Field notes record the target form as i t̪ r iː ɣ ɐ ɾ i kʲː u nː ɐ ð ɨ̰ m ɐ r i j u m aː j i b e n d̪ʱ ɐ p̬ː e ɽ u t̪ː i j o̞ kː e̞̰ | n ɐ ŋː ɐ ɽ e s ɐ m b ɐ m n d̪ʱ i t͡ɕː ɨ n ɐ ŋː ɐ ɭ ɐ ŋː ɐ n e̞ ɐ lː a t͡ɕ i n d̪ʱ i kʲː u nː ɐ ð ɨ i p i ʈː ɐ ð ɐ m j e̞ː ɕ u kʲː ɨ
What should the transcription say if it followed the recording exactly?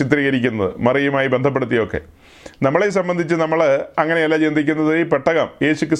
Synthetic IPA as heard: i t̪ r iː ɣ ɐ ɾ i kʲː u nː ɐ ð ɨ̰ m ɐ r i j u m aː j i b e n d̪ʱ ɐ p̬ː e ɽ u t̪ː i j o̞ kː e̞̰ | n ɐ mː ɐ ɭ e s ɐ m b ɐ n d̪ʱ i t͡ɕː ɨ n ɐ mː ɐ ɭ ɐ ŋː ɐ n e̞ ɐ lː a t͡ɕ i n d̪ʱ i kʲː u nː ɐ ð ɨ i p e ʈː ɐ ɣ ɐ m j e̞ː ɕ u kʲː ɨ